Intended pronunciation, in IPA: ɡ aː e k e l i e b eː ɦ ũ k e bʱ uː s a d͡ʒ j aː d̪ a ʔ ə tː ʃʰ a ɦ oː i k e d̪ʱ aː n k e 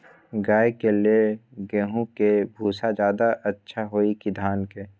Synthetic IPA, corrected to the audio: ɡ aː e k e l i e ɡ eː ɦ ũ k e bʱ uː s a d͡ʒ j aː d̪ a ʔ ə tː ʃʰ a ɦ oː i k i d̪ʱ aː n k e